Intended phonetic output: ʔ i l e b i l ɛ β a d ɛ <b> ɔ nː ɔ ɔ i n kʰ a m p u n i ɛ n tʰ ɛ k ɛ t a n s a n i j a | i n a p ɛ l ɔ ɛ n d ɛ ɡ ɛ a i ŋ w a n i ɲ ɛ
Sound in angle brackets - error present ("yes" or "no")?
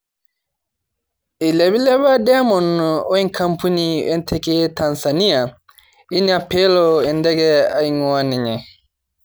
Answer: yes